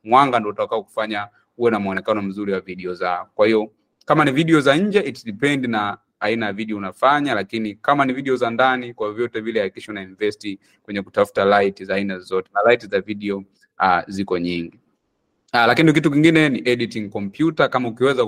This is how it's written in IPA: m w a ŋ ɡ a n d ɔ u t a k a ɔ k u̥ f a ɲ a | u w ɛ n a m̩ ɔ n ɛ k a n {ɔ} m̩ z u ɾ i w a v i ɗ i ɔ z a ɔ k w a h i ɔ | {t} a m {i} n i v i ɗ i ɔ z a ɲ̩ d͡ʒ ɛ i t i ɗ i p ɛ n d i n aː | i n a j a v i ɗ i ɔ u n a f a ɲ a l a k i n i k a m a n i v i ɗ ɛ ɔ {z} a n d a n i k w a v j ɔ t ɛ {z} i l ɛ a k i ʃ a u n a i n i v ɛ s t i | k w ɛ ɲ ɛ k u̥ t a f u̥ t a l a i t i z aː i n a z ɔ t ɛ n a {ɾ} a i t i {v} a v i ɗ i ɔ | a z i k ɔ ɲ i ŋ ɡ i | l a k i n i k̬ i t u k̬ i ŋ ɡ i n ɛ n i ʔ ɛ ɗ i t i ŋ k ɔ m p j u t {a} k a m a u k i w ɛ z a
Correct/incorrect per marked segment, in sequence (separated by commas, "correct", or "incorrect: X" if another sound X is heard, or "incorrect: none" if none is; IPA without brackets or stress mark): correct, incorrect: k, incorrect: a, correct, incorrect: v, incorrect: l, incorrect: z, correct